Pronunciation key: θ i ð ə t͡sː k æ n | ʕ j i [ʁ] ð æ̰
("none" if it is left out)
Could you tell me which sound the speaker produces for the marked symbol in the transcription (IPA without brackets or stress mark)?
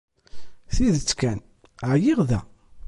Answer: ʁ